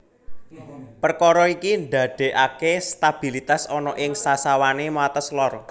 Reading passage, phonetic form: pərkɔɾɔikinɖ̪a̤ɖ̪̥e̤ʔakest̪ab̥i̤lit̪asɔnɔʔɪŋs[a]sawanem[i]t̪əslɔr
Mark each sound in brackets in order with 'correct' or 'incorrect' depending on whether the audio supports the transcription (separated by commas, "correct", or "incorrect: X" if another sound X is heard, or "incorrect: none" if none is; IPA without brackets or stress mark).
correct, incorrect: a